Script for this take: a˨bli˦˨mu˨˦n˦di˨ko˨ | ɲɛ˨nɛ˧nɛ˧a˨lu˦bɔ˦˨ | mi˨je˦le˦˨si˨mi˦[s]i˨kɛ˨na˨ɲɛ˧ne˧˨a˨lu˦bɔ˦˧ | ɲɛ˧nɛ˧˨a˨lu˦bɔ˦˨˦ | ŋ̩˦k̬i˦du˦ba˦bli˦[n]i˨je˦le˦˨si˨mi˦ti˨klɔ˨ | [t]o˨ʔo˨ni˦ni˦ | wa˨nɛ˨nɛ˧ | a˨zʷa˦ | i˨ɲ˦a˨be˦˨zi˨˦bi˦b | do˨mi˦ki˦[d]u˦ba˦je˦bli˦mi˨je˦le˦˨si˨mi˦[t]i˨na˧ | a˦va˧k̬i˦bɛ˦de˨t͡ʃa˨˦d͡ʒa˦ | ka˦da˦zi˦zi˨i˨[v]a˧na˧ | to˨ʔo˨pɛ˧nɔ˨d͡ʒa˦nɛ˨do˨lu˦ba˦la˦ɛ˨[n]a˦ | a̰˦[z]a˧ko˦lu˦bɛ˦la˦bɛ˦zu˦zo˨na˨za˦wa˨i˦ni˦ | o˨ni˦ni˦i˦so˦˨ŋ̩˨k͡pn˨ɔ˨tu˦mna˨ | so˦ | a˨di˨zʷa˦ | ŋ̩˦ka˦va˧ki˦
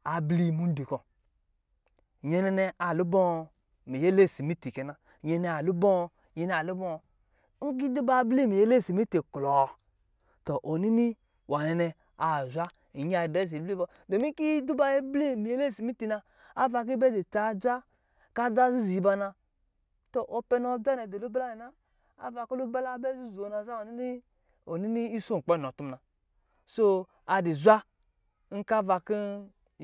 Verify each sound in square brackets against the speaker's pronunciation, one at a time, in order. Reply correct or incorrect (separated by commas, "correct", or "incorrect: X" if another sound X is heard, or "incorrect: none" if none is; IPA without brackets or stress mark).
incorrect: t, incorrect: m, correct, correct, correct, incorrect: b, correct, incorrect: v